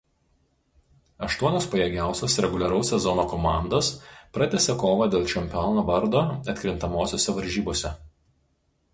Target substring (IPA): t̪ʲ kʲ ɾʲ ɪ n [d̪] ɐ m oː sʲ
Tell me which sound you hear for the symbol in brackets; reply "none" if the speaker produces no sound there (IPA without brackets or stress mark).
t̪